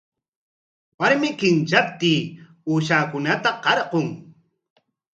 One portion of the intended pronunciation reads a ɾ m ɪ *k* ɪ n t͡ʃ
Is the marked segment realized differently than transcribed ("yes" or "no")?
no